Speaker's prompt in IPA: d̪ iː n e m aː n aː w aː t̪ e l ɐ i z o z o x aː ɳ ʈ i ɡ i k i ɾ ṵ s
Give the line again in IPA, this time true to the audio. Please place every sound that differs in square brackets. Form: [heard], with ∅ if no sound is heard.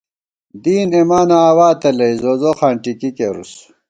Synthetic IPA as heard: d̪ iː n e m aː n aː w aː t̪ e l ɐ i z o z o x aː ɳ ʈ i [k] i k [e] ɾ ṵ s